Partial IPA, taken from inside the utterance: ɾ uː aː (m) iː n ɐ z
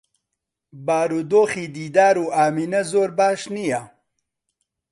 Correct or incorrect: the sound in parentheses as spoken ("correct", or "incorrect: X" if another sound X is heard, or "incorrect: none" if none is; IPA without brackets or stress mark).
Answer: correct